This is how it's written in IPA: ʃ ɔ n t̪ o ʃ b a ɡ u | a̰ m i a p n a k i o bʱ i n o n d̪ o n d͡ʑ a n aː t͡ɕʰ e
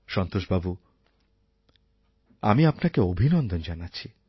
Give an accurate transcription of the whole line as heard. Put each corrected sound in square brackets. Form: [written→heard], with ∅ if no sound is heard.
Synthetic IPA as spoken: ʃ ɔ n t̪ o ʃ b a [ɡ→b] u | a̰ m i a p n a k [i→e] o bʱ i n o n d̪ o n d͡ʑ a n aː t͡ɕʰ [e→i]